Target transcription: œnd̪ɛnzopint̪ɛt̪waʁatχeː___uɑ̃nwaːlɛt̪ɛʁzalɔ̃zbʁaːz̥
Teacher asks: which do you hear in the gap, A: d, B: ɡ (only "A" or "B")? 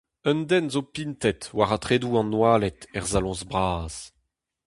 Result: A